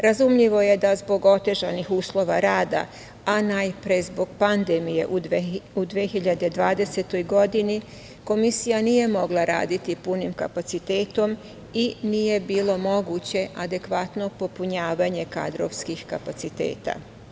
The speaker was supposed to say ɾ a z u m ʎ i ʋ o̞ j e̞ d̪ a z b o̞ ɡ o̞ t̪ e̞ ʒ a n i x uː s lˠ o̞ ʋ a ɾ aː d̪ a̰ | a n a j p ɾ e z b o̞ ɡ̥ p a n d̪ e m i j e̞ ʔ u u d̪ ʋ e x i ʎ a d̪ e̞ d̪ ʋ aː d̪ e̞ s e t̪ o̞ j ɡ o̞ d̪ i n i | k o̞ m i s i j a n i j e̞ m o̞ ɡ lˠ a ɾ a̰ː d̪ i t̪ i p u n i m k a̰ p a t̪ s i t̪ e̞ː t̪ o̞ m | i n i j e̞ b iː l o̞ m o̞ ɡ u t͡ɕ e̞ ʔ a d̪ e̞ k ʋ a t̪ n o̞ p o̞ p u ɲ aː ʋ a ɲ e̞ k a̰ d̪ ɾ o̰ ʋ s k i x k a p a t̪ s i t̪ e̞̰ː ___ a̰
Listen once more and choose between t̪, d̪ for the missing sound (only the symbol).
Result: t̪